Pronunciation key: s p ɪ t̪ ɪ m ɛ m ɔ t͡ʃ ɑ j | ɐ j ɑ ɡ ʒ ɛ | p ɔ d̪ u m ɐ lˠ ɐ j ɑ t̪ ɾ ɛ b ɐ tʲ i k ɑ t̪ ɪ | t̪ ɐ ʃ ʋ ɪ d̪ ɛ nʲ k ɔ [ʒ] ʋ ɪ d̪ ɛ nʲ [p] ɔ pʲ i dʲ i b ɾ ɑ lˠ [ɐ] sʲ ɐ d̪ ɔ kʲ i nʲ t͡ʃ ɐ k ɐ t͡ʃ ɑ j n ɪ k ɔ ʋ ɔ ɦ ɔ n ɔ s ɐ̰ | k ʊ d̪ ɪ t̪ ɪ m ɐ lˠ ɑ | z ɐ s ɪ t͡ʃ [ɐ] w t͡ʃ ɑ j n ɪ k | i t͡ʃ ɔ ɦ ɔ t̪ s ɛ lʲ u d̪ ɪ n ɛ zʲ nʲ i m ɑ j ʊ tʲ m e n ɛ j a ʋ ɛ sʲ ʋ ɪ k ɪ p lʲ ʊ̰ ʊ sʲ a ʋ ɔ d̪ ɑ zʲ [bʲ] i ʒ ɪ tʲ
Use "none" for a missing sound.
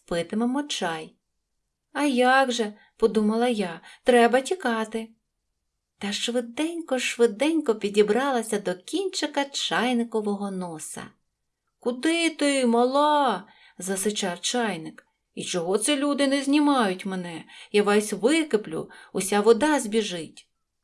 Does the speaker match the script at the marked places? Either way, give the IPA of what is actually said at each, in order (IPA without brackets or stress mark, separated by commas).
ʃ, k, ɐ, ɑ, bʲ